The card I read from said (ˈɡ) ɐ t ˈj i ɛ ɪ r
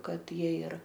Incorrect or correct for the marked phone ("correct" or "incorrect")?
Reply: incorrect